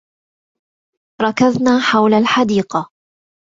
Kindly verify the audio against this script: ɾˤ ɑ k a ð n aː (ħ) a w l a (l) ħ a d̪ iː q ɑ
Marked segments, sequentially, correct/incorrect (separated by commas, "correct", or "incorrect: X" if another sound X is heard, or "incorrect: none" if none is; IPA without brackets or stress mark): correct, correct